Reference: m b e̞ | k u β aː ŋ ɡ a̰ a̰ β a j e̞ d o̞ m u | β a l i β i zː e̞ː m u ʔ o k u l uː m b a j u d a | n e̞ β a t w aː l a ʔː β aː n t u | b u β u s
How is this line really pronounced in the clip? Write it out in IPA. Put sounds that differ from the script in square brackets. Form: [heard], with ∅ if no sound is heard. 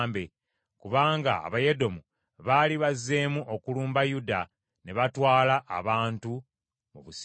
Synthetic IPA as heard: m b e̞ | k u β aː ŋ ɡ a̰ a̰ β a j e̞ d o̞ m u | β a l i β [a] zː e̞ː m u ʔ o k u l uː m b a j u d a | n e̞ β a t w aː l a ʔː β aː n t u | [m] u β u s